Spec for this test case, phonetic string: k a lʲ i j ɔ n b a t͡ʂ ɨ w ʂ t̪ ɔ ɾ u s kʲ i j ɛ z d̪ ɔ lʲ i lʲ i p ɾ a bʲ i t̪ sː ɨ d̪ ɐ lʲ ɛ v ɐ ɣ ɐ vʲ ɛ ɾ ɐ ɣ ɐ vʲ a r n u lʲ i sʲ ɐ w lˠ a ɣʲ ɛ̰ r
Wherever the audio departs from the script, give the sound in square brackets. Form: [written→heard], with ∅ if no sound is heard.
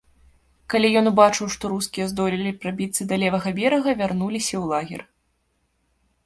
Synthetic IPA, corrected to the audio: k a lʲ i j ɔ n b a t͡ʂ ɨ w ʂ t̪ ɔ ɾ u s kʲ i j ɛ z d̪ ɔ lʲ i lʲ i p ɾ a bʲ i t̪ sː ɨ d̪ ɐ lʲ ɛ v ɐ ɣ ɐ vʲ ɛ ɾ ɐ ɣ ɐ vʲ a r n u lʲ i sʲ ɐ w lˠ a ɣʲ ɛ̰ r